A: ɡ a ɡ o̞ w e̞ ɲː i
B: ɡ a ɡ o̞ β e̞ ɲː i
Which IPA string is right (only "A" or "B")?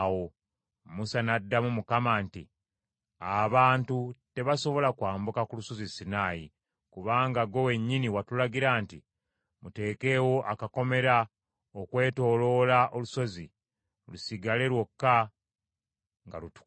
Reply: A